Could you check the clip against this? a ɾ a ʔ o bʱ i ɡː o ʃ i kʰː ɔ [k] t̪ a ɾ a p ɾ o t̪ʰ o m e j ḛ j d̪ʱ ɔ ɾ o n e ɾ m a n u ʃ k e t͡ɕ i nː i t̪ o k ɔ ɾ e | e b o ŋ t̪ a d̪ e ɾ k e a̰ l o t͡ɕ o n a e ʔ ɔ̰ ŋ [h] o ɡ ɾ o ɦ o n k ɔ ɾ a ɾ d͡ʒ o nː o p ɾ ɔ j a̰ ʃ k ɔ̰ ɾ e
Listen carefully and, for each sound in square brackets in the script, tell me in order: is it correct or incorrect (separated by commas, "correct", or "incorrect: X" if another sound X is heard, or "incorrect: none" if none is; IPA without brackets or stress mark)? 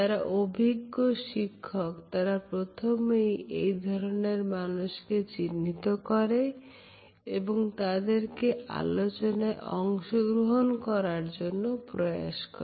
correct, incorrect: ʃ